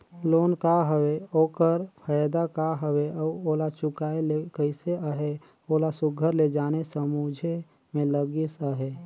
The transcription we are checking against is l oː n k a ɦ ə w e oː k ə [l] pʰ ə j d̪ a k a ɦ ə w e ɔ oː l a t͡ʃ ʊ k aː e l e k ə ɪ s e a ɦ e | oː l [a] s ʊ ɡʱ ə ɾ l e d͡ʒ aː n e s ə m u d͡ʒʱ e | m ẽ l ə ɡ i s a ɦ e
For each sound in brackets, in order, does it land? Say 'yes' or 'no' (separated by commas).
no, yes